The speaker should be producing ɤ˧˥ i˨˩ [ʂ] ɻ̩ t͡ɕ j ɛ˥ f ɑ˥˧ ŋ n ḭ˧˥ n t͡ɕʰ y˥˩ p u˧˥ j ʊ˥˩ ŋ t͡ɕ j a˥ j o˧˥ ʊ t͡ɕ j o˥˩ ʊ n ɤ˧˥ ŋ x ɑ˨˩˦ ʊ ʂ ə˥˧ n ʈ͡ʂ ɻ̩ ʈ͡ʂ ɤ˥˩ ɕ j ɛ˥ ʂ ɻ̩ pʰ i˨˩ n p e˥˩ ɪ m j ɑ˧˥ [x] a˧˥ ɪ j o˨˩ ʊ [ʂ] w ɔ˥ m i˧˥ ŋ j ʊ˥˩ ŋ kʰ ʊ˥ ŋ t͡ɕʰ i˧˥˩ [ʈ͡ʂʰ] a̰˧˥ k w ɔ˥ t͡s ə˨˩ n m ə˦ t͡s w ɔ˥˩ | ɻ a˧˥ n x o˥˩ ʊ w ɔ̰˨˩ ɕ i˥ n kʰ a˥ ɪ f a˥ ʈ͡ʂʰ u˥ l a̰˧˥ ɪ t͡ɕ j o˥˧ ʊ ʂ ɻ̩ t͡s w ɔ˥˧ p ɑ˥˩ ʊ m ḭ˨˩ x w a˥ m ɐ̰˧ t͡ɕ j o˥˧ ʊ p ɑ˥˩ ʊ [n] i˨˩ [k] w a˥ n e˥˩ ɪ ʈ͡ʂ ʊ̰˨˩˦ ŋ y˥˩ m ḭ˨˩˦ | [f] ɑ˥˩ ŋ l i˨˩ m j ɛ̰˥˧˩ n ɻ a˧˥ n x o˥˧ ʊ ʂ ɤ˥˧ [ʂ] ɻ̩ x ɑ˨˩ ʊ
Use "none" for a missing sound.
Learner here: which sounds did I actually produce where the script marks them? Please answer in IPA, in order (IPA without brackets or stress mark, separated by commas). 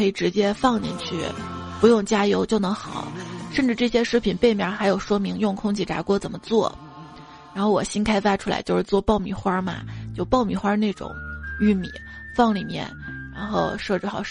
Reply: ʈ͡ʂ, x, ʂ, ʈ͡ʂ, m, x, f, ʈ͡ʂ